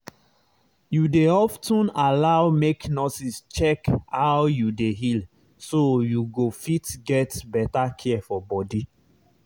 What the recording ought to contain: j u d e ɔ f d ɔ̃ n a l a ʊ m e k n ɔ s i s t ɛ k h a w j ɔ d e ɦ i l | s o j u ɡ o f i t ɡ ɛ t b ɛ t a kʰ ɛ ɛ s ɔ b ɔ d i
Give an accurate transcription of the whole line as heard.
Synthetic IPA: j u d e ɔ f t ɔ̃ n a l a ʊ m e k n ɔ s i s t͡ʃ ɛ k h a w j u d e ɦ i l | s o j u ɡ o f i t ɡ ɛ t b ɛ t a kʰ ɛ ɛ f ɔ b ɔ d i